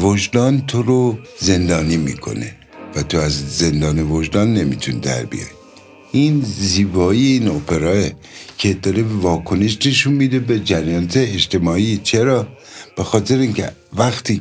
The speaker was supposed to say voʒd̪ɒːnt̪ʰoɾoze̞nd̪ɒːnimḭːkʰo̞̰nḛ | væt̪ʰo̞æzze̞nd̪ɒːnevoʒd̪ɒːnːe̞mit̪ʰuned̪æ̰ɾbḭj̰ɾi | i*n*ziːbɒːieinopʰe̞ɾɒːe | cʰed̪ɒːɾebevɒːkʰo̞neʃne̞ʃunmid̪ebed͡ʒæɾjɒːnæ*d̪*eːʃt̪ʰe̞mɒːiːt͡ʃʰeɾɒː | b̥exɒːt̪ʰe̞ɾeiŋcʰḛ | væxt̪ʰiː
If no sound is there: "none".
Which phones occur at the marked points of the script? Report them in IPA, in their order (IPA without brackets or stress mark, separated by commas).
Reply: n, t̪